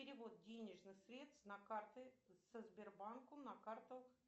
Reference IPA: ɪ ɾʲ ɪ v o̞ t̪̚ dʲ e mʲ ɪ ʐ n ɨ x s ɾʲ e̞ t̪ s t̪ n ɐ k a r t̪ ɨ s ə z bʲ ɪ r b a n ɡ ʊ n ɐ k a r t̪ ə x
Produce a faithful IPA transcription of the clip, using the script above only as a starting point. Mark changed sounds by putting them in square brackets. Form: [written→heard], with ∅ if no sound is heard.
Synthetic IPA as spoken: ɪ ɾʲ ɪ v o̞ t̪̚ dʲ e [mʲ→nʲ] ɪ ʐ n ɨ x s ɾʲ e̞ t̪ s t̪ n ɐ k a r t̪ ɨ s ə z bʲ ɪ r b a n [ɡ→k] ʊ n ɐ k a r t̪ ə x